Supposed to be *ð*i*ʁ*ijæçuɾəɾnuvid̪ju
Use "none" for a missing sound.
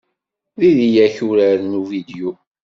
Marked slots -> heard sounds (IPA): ð, ð

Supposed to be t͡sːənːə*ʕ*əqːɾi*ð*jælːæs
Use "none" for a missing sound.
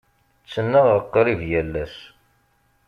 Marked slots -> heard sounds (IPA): ʁ, v

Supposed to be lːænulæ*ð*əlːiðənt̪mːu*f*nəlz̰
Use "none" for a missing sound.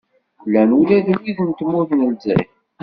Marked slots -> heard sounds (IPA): ð, θ

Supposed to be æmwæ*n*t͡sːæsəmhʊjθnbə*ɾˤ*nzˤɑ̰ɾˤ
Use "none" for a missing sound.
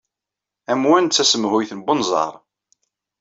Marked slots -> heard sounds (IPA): n, none

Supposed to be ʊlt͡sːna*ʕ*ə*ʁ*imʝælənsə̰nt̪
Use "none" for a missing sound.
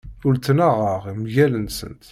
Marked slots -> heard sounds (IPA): ʁ, ʁ

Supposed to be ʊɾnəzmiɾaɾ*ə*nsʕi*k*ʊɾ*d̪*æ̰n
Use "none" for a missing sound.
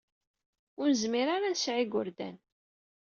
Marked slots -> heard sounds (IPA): a, ɡ, d̪

